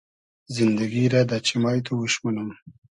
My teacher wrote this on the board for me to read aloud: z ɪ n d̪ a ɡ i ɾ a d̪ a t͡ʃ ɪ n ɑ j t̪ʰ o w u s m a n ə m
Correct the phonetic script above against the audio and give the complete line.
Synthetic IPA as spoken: z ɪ n d̪ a ɡ i ɾ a d̪ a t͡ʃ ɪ m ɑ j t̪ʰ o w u ʃ m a n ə m